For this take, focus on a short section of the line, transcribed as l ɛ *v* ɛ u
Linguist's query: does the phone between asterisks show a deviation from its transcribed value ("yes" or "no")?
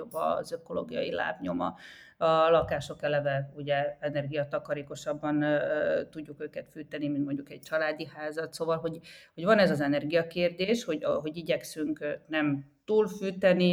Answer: no